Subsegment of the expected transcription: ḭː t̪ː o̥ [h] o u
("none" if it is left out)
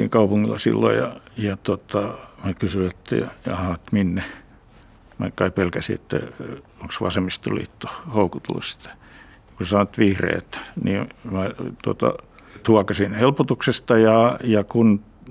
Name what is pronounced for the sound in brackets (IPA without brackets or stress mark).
h